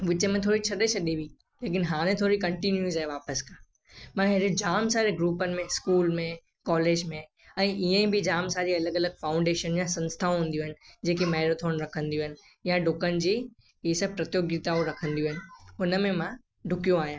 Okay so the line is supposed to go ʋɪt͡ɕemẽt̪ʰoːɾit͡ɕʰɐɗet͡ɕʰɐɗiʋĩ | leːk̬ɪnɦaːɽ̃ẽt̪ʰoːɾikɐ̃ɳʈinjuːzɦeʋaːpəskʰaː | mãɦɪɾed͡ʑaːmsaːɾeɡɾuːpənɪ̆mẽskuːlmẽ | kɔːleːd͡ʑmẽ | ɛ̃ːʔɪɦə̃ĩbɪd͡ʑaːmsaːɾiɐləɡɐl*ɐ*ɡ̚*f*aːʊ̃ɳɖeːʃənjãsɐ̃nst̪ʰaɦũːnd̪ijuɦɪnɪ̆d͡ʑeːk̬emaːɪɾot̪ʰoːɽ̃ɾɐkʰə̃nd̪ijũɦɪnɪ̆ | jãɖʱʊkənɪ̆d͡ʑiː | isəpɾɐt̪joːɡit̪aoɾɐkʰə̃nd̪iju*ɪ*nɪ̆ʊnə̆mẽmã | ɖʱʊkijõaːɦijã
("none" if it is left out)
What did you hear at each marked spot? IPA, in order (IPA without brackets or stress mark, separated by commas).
ə, f, ɪ